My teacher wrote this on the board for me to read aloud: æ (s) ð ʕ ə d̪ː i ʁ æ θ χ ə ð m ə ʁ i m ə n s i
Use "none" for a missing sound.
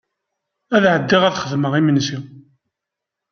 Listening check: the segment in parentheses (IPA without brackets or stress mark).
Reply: none